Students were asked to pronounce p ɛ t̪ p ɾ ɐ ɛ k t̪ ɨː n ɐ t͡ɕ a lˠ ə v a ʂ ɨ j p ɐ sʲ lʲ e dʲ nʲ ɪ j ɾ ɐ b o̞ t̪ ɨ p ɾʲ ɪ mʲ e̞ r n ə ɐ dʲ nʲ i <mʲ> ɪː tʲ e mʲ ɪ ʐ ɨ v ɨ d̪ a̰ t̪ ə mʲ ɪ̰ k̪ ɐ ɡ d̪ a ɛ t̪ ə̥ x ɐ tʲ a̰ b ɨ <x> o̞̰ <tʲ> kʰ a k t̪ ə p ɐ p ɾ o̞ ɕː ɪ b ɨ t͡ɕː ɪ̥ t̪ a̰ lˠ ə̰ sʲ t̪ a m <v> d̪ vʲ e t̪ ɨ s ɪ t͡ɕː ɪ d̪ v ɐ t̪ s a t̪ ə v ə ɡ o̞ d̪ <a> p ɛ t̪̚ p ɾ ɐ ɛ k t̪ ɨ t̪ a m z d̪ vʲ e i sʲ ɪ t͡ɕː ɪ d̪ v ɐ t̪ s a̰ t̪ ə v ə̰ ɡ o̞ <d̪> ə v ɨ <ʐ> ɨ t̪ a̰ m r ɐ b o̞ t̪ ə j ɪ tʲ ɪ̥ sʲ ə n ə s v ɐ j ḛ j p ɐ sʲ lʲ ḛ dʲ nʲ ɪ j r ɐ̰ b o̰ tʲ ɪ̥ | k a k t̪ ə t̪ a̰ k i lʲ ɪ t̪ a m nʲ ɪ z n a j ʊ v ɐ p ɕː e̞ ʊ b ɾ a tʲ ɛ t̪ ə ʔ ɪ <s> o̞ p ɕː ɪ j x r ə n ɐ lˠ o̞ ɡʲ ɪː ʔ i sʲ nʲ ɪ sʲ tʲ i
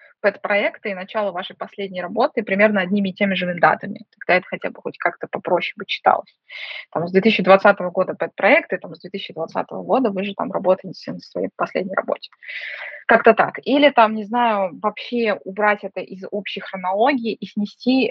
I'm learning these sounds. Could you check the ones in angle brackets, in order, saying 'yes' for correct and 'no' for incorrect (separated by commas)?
yes, yes, yes, no, no, yes, yes, no